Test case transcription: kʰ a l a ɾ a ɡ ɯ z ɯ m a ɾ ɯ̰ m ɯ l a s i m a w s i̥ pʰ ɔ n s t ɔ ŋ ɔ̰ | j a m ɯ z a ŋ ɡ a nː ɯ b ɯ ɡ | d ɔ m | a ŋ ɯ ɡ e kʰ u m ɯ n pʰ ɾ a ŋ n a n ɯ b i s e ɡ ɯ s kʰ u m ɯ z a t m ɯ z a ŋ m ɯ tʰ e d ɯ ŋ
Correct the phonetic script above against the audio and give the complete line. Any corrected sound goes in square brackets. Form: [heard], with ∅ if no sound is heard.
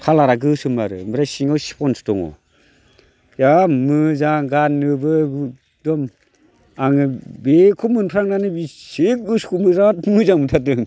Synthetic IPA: kʰ a l a ɾ a ɡ ɯ [s] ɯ m a ɾ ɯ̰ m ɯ [ɾ] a s i [ŋ] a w s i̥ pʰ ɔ n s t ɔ ŋ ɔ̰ | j a m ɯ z a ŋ ɡ a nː ɯ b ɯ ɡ | d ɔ m | a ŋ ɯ [b] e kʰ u m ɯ n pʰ ɾ a ŋ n a n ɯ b i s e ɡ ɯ s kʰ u m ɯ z a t m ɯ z a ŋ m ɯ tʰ [a] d ɯ ŋ